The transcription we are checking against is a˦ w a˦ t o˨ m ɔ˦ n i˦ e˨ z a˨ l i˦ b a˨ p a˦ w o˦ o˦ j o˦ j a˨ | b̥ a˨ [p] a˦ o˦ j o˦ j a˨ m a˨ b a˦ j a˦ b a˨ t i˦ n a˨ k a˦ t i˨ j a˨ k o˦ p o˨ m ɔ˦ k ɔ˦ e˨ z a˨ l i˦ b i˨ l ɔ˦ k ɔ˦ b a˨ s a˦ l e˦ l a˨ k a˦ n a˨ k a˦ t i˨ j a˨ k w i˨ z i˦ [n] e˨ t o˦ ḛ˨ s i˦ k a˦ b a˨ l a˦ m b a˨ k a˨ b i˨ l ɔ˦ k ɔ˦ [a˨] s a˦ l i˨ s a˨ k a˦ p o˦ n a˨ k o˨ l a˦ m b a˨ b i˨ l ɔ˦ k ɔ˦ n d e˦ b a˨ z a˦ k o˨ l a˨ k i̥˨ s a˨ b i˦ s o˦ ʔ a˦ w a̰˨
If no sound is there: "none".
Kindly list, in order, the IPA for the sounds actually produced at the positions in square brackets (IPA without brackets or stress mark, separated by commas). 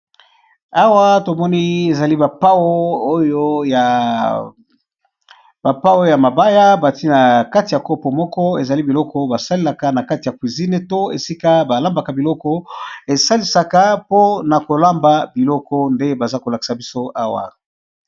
p, n, e˨